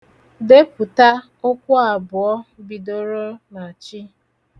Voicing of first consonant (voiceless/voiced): voiced